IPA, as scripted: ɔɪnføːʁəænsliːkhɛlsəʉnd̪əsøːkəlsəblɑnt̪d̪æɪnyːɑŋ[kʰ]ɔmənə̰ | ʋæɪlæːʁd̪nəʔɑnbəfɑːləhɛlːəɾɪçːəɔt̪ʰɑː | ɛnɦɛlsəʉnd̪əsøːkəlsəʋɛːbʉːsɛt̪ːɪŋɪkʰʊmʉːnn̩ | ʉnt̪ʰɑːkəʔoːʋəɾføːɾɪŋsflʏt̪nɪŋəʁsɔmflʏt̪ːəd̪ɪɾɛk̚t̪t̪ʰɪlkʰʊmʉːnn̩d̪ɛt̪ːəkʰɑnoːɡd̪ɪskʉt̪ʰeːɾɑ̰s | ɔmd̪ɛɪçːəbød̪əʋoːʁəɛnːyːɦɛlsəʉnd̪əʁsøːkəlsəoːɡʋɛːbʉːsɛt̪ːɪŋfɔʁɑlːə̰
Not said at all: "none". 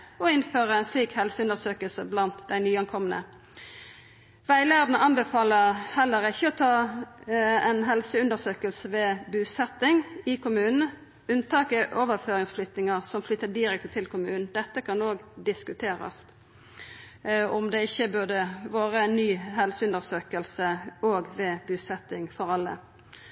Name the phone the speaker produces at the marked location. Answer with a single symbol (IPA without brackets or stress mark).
kʰ